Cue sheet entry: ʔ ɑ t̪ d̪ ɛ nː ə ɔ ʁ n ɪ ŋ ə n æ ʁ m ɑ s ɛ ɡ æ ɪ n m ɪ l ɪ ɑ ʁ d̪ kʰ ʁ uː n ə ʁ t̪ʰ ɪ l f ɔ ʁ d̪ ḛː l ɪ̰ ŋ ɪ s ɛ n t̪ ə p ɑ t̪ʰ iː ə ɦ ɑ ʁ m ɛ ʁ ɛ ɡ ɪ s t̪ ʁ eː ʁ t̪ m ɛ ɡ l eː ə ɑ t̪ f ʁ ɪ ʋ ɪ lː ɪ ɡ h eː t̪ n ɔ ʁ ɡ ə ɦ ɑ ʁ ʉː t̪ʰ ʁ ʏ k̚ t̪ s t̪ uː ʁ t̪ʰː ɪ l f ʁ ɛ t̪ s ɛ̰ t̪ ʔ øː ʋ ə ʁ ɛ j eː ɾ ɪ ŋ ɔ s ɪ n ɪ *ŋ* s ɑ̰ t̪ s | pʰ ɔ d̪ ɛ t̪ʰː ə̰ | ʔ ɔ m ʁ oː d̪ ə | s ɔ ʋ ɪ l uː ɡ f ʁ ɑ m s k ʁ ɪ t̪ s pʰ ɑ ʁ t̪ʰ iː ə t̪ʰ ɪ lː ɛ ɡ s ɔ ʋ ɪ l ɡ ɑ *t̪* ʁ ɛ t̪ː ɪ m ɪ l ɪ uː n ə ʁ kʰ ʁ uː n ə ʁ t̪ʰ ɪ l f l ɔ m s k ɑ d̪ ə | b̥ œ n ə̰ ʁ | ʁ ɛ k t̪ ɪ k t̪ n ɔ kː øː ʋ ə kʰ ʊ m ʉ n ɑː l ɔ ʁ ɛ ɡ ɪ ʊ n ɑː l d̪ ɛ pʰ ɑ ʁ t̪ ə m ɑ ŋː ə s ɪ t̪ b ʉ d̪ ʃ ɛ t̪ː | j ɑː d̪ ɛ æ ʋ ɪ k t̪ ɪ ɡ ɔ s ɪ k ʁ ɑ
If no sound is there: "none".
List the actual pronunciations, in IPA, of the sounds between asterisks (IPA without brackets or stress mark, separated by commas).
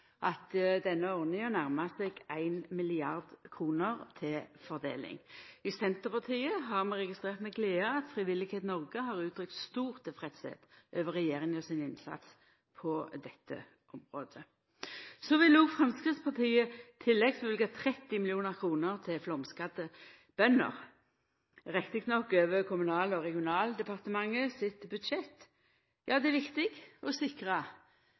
n, t̪ʰ